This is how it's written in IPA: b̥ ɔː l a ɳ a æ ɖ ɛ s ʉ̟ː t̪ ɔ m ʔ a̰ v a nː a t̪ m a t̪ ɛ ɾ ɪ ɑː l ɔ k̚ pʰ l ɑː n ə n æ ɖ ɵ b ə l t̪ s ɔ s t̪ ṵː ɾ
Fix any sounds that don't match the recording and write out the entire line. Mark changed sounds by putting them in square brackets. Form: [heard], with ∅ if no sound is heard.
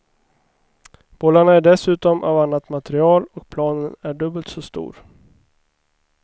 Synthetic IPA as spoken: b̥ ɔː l a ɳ a æ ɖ ɛ s ʉ̟ː t̪ ɔ m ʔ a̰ v a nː a t̪ m a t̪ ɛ ɾ ɪ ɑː l ɔ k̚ pʰ l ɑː n ə n æ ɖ ɵ b ə l t̪ s ɔ s t̪ ṵː ɾ